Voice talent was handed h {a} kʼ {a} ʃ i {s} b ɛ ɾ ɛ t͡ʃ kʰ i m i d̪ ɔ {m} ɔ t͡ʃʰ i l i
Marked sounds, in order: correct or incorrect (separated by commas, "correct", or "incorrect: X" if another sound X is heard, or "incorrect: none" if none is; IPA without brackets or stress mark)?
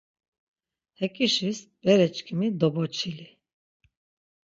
incorrect: ɛ, incorrect: i, correct, incorrect: b